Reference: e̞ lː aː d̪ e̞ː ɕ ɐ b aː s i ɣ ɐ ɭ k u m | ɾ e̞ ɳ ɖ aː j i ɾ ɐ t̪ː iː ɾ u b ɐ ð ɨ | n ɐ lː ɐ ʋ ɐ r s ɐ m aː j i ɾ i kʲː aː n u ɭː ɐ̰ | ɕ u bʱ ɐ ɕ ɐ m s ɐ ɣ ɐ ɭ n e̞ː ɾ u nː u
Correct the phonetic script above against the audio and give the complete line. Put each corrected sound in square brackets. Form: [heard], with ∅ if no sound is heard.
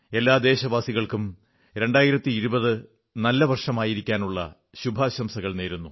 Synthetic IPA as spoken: e̞ lː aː d̪ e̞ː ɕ ɐ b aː s i ɣ ɐ ɭ k u m | ɾ e̞ ɳ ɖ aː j i ɾ ɐ t̪ː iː ɾ u b ɐ ð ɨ | n ɐ lː ɐ ʋ ɐ r [ʂ] ɐ m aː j i ɾ i kʲː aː n u ɭː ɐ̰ | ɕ u bʱ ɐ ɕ ɐ m s ɐ ɣ ɐ ɭ n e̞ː ɾ u nː u